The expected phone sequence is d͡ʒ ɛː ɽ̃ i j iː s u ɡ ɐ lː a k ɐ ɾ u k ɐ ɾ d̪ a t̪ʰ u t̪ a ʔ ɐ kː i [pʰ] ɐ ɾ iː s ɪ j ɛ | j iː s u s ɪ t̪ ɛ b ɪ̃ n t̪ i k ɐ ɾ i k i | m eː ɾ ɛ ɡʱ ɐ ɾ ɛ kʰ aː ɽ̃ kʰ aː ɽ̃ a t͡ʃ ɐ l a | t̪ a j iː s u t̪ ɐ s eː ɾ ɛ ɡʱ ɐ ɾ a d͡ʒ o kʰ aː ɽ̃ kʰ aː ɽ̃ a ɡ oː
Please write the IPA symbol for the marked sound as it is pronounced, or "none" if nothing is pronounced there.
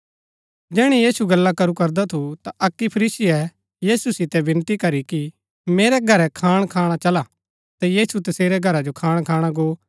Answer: pʰ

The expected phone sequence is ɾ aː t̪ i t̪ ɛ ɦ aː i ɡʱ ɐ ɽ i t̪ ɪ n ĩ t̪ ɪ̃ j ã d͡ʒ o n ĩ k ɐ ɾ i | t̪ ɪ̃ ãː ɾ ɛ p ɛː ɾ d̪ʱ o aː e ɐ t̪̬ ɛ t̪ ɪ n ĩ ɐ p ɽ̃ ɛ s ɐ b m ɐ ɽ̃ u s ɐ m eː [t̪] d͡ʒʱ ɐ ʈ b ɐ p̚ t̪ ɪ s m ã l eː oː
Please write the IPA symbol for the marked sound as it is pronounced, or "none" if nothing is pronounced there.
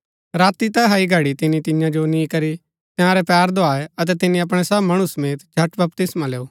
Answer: t̪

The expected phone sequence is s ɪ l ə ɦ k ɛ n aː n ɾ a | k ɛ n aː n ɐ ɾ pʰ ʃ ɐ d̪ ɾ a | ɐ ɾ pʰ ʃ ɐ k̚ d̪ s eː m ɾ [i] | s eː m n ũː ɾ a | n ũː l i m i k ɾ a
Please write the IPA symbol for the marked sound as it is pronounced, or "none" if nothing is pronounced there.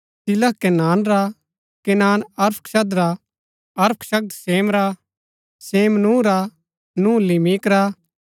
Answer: a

